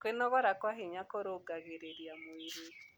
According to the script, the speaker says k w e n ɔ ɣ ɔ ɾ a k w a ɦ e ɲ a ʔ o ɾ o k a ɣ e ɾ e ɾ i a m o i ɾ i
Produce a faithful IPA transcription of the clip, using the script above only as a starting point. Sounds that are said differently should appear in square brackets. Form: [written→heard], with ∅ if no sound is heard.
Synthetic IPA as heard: k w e n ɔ ɣ ɔ ɾ a k w a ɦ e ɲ a [ʔ→k] o ɾ o [k→ɡ] a ɣ e ɾ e ɾ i a m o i ɾ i

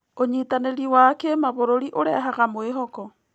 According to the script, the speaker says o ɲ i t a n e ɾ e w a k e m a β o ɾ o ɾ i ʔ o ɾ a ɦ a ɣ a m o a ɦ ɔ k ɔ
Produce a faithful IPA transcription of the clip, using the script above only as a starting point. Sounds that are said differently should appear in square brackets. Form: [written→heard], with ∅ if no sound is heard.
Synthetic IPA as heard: o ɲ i t a n e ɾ [e→i] w a k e m a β o ɾ o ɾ i ʔ o ɾ [a→ɛ] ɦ a ɣ a m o [a→e] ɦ ɔ k ɔ

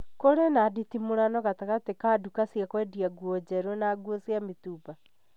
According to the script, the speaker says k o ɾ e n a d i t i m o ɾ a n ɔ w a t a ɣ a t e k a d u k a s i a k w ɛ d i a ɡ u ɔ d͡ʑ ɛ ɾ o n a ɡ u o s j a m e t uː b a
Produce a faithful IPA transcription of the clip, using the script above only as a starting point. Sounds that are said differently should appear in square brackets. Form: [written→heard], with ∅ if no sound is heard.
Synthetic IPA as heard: k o ɾ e n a d i t i m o ɾ a n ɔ [w→ɣ] a t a ɣ a t e k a d u k a s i a k w ɛ d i a ɡ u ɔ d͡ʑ ɛ ɾ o n a ɡ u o s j a m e t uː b a

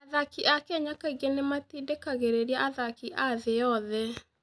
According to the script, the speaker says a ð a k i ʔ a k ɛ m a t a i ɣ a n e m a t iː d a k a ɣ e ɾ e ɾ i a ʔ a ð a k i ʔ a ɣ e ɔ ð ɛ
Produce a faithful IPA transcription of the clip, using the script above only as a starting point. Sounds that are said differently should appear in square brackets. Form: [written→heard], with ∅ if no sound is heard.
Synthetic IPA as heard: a ð a k i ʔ a k ɛ [m→ɲ] a [t→k] a i ɣ [a→e] n e m a t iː d [a→e] k a ɣ e ɾ e ɾ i a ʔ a ð a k i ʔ a [ɣ→ð] e ɔ ð ɛ

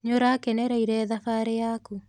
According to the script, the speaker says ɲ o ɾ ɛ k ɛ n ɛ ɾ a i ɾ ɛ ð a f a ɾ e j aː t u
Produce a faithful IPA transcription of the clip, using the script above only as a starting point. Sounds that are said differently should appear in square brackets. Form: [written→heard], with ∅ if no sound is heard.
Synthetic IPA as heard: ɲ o ɾ [ɛ→a] k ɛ n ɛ ɾ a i ɾ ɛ ð a f a ɾ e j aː [t→k] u

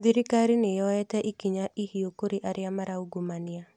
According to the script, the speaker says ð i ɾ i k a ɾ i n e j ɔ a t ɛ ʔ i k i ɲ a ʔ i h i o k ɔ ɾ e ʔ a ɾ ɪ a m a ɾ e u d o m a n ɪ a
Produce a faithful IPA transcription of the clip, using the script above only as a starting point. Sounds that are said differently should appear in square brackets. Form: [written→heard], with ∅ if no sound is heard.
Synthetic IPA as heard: ð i ɾ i k a ɾ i n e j ɔ [a→ɛ] t ɛ ʔ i k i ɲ a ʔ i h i o k [ɔ→o] ɾ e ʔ a ɾ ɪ a m a ɾ [e→a] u [d→ɡ] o m a n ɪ a

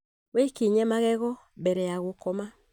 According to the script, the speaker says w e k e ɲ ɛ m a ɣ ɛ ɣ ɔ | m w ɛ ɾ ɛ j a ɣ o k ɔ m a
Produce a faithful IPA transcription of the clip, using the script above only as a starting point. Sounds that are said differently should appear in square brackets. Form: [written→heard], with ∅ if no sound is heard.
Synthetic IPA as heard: w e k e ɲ ɛ m a ɣ ɛ ɣ ɔ | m [w→b] ɛ ɾ ɛ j a ɣ o k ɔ m a

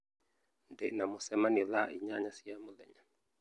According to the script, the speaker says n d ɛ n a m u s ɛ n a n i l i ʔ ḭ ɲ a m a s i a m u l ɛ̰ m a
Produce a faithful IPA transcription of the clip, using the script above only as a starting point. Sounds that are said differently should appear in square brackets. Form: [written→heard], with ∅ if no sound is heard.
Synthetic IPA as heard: n d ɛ n a m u s ɛ [n→m] a n i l [i→a] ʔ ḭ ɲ a [m→ɲ] a s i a m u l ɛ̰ [m→ɲ] a

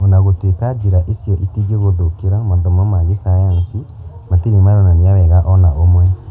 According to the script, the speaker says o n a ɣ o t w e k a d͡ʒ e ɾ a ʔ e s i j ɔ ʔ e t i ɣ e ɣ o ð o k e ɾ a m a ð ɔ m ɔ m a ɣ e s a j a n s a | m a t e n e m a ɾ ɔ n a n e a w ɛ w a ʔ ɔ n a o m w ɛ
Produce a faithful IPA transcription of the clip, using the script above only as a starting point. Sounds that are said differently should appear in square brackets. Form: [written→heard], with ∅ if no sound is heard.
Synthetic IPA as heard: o n a ɣ o t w e k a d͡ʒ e ɾ a ʔ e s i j ɔ ʔ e t i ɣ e ɣ o ð o k e ɾ a m a ð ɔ m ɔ m a ɣ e s a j a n s [a→i] | m a t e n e m a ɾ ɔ n a n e a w ɛ [w→ɣ] a ʔ ɔ n a o m w ɛ

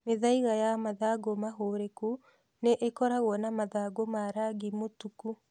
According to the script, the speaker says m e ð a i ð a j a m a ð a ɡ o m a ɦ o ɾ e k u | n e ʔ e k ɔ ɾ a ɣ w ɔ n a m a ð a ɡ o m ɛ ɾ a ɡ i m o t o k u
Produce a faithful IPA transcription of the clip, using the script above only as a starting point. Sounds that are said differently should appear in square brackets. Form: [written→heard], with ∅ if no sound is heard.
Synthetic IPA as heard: m e ð a i [ð→ɣ] a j a m a ð a ɡ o m a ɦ o ɾ e k u | n e ʔ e k ɔ ɾ a ɣ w ɔ n a m a ð a ɡ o m [ɛ→a] ɾ a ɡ i m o t [o→u] k u

